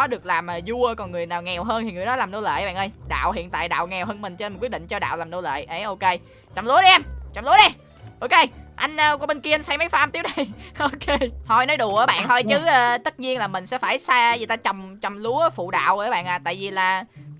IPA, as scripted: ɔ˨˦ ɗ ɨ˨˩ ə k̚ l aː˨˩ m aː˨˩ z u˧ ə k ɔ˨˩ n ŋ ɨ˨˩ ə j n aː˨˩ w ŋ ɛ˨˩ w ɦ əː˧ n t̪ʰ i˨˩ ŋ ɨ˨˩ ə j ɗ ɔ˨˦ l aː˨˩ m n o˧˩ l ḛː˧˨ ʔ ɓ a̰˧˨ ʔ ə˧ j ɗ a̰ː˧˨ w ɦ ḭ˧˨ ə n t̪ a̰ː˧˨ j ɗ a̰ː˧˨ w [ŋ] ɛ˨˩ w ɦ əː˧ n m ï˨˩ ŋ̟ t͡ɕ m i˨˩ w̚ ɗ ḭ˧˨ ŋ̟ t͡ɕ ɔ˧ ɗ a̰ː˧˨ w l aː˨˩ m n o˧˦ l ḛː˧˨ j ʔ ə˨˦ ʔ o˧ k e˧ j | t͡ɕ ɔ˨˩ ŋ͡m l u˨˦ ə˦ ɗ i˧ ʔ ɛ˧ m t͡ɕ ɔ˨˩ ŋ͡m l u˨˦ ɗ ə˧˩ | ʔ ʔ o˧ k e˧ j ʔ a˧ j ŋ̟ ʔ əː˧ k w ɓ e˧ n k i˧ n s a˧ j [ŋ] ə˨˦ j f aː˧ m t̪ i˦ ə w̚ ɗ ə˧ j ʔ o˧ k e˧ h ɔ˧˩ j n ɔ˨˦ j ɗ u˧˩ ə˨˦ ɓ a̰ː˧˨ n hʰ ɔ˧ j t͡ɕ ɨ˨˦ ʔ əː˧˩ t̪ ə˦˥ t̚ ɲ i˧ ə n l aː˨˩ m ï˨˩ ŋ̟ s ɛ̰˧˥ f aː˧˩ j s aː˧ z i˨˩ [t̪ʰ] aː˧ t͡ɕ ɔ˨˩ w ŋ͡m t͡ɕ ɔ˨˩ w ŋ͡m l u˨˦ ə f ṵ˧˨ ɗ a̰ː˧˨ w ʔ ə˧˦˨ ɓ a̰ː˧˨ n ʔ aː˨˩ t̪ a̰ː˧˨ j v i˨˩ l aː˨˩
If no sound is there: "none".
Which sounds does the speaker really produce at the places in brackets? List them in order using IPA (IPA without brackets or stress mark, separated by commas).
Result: ŋ, m, t̪